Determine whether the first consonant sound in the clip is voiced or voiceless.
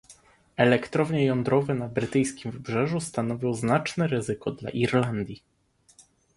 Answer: voiced